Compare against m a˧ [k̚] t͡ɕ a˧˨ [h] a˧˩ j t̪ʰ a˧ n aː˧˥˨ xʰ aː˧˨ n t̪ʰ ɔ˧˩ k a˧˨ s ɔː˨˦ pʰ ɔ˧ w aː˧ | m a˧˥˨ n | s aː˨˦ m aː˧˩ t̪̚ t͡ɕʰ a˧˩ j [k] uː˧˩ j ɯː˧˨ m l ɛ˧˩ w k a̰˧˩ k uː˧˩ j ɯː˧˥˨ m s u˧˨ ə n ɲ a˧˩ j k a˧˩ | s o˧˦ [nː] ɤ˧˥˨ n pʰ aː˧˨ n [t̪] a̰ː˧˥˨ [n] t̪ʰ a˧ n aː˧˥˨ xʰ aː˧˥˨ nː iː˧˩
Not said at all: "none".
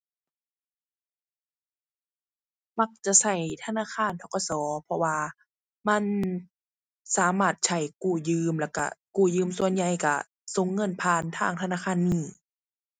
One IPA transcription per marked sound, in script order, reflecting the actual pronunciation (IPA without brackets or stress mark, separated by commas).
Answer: k̚, s, k, ŋː, t̪ʰ, ŋ